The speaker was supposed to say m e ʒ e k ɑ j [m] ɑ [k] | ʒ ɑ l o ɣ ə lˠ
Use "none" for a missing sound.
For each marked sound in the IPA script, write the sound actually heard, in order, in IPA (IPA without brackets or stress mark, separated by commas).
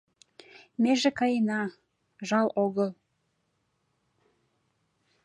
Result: n, none